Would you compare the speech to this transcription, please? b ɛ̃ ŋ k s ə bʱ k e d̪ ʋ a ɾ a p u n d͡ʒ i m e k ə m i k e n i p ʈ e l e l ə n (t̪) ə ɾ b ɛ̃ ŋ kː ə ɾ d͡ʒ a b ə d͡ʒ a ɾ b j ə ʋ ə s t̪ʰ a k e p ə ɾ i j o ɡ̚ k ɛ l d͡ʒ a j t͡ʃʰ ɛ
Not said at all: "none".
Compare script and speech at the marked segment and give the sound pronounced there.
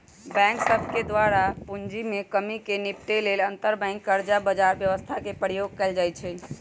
t̪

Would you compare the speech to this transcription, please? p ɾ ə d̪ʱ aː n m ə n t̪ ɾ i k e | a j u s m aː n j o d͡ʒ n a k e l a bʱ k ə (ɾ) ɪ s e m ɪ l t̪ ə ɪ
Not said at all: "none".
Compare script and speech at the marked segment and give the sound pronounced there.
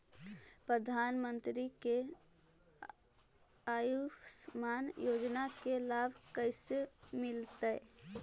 none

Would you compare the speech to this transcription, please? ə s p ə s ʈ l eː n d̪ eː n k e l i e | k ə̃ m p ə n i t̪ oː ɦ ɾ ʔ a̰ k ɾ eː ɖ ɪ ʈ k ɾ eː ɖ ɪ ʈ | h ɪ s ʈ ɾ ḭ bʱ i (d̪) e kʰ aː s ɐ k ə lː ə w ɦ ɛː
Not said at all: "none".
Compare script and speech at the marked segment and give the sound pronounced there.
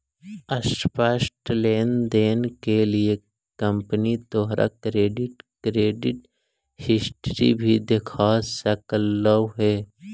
d̪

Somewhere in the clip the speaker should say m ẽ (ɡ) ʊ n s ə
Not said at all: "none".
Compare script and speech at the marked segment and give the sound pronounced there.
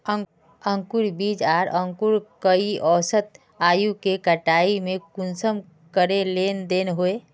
k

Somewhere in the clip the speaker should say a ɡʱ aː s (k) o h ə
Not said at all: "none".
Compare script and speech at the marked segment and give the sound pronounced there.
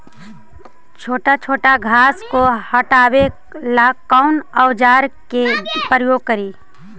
k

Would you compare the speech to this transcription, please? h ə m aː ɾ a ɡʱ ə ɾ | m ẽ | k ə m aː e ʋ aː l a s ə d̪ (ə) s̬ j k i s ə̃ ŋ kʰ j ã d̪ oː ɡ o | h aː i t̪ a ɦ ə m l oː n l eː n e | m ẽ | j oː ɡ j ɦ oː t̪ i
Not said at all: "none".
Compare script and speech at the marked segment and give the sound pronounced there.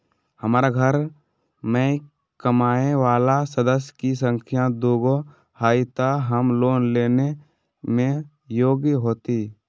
ə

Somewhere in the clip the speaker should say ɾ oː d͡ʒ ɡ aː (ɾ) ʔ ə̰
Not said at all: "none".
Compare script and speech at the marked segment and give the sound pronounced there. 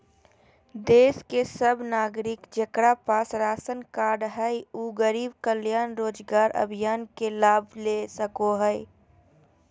ɾ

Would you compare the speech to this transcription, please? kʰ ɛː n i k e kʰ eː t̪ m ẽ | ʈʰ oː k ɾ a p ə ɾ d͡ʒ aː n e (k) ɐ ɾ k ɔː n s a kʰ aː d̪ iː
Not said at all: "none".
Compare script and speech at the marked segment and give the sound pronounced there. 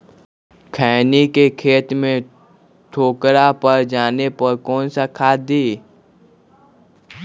p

